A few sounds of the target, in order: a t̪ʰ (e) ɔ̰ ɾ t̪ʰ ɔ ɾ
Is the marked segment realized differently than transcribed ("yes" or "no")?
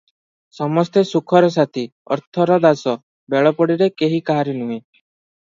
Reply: yes